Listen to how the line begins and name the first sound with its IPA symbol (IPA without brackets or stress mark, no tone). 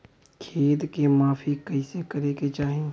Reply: kʰ